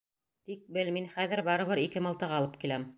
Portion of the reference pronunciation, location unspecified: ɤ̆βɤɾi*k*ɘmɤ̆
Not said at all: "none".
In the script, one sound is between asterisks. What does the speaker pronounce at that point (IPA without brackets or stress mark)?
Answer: k